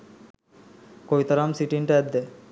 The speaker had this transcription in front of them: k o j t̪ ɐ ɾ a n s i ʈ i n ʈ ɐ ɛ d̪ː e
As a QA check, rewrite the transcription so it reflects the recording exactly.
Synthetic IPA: k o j t̪ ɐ ɾ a m s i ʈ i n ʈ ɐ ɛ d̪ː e